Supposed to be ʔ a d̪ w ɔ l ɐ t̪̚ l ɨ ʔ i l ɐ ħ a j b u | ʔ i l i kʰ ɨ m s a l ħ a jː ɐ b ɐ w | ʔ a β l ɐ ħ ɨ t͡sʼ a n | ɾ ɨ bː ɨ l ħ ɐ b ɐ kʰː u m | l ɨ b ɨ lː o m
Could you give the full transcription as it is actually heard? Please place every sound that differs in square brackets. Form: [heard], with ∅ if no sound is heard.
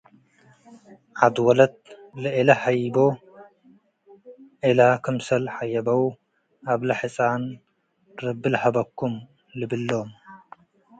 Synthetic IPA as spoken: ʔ a d̪ w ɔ l ɐ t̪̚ l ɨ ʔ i l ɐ ħ a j b [o] | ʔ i l [a] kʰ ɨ m s [ɐ] l ħ a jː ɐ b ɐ w | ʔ a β l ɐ ħ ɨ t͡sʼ a n | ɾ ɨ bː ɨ l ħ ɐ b ɐ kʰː u m | l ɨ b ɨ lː o m